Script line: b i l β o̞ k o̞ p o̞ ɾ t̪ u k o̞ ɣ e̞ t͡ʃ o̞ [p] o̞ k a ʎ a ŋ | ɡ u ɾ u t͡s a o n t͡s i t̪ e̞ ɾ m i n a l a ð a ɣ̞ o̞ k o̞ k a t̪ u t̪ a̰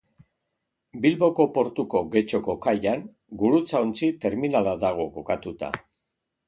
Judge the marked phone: incorrect: k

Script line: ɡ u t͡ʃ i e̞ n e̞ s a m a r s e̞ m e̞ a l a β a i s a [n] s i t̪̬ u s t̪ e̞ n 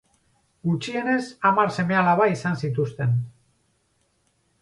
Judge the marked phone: correct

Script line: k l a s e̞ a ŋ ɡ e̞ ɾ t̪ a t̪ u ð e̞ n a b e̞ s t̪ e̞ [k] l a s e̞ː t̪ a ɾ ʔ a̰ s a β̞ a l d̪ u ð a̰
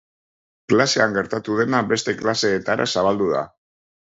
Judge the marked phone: correct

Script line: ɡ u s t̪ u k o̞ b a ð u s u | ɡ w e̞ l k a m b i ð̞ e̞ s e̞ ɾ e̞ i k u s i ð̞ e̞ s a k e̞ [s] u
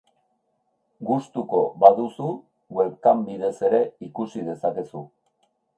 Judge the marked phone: correct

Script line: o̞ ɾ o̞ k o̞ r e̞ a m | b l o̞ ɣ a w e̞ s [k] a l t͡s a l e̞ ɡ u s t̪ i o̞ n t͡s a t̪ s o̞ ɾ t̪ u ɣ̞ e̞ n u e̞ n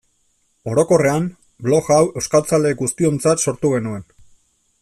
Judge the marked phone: correct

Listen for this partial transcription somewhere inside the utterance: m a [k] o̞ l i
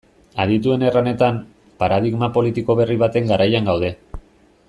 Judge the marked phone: incorrect: p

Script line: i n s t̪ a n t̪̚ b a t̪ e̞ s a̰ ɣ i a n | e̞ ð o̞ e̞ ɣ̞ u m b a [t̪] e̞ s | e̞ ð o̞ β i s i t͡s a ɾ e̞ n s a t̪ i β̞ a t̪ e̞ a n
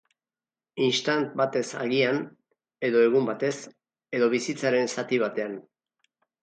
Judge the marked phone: correct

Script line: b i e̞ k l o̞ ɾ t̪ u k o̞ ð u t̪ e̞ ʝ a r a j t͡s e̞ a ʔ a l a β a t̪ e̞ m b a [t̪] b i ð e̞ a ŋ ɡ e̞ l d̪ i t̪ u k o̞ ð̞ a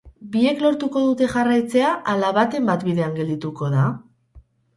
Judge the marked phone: correct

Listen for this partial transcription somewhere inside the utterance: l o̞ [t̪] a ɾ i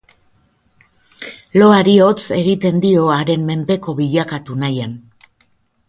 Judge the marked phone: incorrect: none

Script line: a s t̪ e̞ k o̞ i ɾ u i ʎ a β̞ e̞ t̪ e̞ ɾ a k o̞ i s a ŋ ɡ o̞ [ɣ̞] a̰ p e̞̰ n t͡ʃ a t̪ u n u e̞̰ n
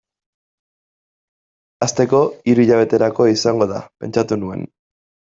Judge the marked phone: incorrect: ð̞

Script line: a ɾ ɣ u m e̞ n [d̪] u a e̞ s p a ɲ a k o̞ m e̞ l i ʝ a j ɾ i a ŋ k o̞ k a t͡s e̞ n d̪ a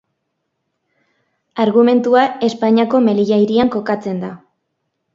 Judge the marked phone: incorrect: t̪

